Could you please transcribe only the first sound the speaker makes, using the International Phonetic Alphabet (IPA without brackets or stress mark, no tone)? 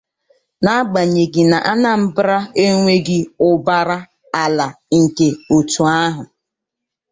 n